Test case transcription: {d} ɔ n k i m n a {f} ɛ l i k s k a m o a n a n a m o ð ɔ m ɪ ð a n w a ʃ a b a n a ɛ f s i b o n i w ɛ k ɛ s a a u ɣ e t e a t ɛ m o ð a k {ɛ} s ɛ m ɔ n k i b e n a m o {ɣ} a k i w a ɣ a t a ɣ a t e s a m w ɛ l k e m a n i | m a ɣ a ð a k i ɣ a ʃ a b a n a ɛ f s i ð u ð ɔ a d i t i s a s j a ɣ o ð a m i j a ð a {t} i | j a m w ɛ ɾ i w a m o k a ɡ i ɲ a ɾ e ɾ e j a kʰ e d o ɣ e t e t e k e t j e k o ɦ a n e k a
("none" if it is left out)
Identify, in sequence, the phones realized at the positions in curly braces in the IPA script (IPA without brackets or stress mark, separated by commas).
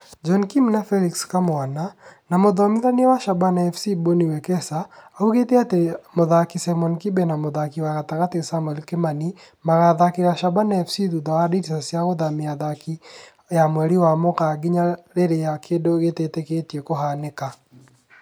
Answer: d͡ʒ, f, i, ð, k